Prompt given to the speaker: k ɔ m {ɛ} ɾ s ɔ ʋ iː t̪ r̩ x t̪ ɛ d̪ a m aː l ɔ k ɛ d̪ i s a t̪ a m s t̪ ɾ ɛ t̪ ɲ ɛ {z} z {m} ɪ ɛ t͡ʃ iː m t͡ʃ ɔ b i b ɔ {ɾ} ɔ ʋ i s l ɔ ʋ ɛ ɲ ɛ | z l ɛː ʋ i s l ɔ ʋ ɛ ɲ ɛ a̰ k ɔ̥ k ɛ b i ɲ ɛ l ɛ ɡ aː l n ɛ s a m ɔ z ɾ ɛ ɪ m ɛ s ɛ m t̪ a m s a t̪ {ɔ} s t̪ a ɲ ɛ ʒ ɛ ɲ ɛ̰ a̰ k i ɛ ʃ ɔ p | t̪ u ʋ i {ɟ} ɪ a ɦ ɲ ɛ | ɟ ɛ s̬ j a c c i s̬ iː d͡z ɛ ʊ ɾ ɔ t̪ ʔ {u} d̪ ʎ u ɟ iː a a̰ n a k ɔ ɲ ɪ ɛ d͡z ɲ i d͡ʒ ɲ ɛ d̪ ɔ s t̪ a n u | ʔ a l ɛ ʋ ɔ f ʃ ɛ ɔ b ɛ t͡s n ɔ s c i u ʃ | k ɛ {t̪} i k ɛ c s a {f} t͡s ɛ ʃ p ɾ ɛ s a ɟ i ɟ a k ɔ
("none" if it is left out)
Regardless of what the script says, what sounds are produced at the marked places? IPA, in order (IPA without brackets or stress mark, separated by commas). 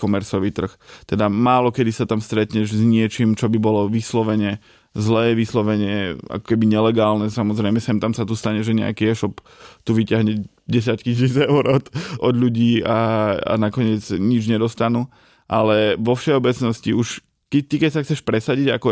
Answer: ɛ, ʒ, ɲ, l, u, c, ɔ, t̪, x